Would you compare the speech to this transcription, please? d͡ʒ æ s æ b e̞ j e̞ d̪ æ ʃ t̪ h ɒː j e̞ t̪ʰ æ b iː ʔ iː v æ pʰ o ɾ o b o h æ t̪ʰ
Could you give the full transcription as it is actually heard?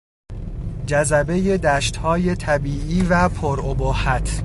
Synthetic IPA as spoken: d͡ʒ æ z æ b e̞ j e̞ d̪ æ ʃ t̪ h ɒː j e̞ t̪ʰ æ b iː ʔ iː v æ pʰ o ɾ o b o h æ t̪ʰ